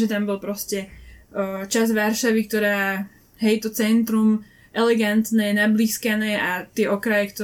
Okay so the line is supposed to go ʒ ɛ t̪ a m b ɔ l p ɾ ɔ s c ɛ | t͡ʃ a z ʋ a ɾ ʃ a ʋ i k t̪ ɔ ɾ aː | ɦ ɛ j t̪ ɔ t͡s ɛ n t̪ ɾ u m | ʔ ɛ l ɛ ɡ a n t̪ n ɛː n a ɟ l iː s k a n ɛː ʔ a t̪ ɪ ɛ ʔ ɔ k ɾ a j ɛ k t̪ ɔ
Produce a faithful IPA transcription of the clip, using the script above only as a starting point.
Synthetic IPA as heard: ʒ ɛ t̪ a m b ɔ l p ɾ ɔ s c ɛ | t͡ʃ a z ʋ a ɾ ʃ a ʋ i k t̪ ɔ ɾ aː | ɦ ɛ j t̪ ɔ t͡s ɛ n t̪ ɾ u m | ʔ ɛ l ɛ ɡ a n t̪ n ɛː n a b l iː s k a n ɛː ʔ a t̪ ɪ ɛ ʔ ɔ k ɾ a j ɛ k t̪ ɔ